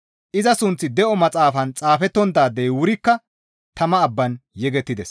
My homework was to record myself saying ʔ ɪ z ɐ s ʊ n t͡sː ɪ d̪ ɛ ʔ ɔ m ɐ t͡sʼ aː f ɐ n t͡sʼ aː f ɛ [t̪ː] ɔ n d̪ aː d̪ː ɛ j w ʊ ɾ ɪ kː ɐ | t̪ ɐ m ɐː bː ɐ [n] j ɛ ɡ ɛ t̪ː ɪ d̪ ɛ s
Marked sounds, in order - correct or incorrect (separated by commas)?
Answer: correct, correct